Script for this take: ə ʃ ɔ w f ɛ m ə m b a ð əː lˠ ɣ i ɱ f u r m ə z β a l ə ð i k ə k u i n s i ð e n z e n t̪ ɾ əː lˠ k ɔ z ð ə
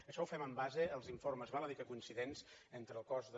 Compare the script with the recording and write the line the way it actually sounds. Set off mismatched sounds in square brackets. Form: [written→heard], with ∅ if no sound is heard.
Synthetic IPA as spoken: ə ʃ ɔ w f ɛ m ə m b a [ð→z] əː lˠ [ɣ→z] i ɱ f [u→o] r m ə z β a l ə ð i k ə k u i n s i ð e n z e n t̪ ɾ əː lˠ k ɔ z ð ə